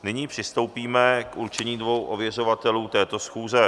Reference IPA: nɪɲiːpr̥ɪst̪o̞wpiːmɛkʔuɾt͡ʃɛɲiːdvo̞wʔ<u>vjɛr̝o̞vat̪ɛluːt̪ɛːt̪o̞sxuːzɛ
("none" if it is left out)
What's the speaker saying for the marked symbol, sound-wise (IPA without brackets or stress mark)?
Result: o